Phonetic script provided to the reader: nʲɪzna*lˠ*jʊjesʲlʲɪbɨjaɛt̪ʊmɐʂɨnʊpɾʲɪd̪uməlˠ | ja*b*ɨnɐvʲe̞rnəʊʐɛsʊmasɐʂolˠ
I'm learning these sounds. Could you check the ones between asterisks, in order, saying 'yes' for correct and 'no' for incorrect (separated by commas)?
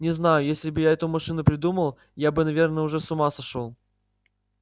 no, yes